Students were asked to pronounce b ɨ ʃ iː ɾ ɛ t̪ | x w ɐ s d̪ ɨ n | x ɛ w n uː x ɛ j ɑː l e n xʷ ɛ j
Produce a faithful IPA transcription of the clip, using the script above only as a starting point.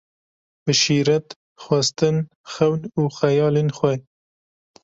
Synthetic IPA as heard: b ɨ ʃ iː ɾ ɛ t̪ | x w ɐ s t̪ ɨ n | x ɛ w n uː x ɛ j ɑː l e n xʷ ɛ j